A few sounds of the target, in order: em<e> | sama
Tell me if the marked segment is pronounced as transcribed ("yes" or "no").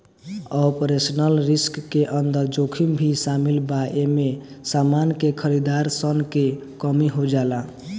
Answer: yes